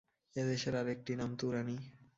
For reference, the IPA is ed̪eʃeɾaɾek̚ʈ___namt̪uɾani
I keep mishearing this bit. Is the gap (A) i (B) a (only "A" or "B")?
A